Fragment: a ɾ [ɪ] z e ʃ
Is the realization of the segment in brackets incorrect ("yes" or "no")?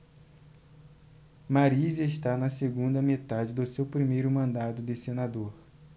yes